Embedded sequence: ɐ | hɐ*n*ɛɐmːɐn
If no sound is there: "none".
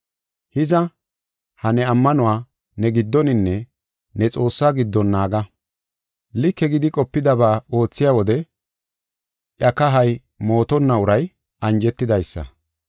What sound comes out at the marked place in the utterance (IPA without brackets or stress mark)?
n